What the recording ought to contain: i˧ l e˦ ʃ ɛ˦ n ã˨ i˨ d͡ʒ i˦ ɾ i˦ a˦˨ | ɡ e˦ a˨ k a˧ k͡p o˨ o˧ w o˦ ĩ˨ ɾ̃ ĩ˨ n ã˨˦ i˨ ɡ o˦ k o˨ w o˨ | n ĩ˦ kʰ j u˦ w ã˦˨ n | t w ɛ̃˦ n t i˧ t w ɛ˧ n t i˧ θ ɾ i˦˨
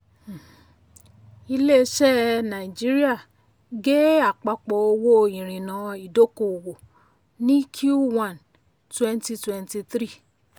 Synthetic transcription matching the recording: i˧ l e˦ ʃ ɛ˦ n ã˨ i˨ d͡ʒ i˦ ɾ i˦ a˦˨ | ɡ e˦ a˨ k͡p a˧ k͡p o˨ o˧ w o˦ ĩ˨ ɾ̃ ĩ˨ n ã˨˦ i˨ d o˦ k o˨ w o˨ | n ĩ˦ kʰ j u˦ w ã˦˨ n | t w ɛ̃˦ n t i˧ t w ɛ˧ n t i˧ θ ɾ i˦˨